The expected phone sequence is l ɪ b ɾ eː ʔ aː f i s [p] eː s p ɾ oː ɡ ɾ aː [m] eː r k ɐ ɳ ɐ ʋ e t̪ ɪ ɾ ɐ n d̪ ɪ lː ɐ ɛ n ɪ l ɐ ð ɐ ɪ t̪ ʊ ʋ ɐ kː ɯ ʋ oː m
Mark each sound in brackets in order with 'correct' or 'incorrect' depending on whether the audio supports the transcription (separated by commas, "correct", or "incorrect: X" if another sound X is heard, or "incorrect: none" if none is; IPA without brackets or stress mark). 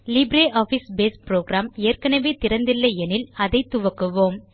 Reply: incorrect: b, correct